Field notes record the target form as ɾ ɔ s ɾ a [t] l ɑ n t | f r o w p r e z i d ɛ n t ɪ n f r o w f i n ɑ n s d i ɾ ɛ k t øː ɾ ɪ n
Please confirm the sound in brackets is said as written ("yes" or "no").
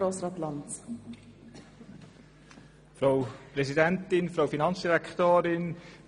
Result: yes